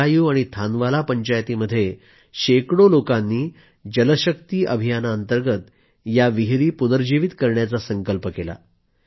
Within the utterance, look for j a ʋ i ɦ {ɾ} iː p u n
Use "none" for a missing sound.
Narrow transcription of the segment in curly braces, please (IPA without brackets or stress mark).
ɾ